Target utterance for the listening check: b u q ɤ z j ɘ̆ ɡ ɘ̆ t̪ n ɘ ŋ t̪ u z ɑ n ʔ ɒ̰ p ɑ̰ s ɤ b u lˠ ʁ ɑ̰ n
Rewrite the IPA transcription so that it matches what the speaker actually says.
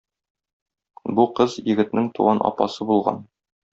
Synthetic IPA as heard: b u q ɤ z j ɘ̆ ɡ ɘ̆ t̪ n ɘ ŋ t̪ u ʁ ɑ n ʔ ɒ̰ p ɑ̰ s ɤ b u lˠ ʁ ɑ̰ n